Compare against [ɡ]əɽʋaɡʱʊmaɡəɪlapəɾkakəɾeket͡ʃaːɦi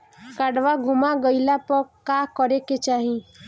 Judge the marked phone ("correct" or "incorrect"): incorrect